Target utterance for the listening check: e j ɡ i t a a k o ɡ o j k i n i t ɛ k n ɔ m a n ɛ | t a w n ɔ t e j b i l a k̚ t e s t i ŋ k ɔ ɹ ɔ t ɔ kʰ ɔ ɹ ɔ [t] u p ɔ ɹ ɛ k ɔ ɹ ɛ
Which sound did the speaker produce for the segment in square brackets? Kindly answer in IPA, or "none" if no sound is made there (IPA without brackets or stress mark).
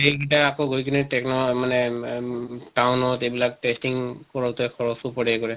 s